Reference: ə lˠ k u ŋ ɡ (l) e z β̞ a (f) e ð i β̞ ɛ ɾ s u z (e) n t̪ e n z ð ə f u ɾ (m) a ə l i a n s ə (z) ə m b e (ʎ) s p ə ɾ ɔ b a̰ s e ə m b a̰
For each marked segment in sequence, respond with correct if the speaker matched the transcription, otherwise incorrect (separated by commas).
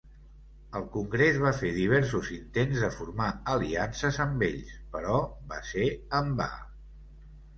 incorrect, correct, incorrect, correct, correct, correct